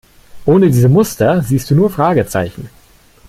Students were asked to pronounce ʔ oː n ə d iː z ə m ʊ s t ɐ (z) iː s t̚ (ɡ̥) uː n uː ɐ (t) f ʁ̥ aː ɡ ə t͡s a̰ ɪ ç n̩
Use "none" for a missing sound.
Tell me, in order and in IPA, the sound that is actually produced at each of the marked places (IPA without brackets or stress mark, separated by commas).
z, d̥, none